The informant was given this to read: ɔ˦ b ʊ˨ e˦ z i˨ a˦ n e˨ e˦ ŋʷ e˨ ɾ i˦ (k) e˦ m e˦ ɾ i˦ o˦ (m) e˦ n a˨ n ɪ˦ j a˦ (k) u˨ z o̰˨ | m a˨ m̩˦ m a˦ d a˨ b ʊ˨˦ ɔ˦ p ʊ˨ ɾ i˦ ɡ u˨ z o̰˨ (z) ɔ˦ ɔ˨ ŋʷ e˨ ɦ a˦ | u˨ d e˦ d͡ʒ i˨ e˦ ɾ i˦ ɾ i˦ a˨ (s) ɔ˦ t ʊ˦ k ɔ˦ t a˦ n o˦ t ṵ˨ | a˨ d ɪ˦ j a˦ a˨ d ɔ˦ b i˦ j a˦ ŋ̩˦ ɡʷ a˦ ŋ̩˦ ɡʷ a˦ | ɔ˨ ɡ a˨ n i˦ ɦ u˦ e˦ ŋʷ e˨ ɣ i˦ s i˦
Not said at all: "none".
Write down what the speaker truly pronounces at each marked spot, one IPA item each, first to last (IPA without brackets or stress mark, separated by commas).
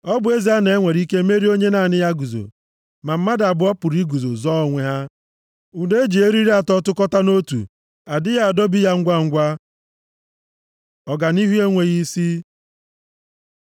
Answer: k, ɲ, ɡ, z, t